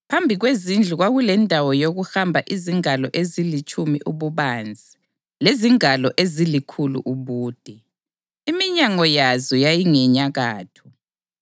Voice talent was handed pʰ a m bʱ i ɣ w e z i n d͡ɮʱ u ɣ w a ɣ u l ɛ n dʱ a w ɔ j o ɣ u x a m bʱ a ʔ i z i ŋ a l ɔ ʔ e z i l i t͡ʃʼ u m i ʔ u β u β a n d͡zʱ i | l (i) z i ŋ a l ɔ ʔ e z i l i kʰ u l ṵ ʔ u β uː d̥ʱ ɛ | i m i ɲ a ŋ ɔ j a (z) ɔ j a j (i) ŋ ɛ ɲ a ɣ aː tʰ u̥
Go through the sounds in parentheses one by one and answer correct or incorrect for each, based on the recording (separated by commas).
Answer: incorrect, correct, correct